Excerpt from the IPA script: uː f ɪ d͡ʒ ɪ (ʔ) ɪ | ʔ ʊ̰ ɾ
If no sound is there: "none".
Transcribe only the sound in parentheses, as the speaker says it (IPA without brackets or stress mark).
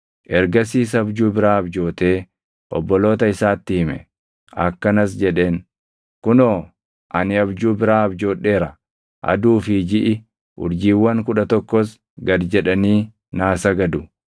ʔ